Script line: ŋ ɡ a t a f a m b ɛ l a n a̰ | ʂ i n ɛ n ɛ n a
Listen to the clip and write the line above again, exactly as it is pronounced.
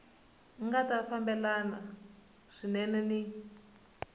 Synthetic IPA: ŋ ɡ a t a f a m b ɛ l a n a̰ | ʂ i n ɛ n ɛ n i